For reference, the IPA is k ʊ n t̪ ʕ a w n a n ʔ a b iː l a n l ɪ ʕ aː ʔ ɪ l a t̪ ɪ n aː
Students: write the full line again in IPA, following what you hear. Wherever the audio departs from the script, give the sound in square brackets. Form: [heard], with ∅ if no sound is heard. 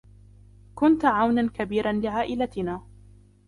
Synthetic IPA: k ʊ n t̪ ʕ a w n a n [k] a b iː [ɾ] a n l ɪ ʕ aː ʔ ɪ l a t̪ ɪ n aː